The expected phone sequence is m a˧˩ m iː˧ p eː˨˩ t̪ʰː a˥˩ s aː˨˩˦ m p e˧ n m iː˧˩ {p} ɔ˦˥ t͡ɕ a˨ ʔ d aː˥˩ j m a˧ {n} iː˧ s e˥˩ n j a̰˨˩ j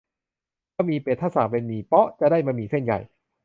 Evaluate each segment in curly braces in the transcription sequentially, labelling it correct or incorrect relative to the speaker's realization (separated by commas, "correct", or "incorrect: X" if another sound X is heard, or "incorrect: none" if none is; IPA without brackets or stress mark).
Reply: correct, incorrect: m